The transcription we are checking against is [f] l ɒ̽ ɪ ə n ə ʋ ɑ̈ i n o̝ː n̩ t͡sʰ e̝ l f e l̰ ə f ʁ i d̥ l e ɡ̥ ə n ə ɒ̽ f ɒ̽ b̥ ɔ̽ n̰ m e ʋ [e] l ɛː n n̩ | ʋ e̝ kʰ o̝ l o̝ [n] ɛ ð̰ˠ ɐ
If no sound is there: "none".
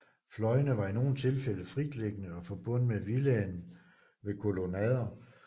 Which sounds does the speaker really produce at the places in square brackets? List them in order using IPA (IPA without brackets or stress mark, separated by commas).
f, i, n